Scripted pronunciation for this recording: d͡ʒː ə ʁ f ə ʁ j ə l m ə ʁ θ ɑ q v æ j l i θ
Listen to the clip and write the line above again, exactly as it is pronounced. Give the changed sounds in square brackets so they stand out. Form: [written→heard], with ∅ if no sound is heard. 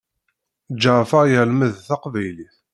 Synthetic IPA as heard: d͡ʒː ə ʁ f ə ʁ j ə l m ə [ʁ→ð] θ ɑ q v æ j l i θ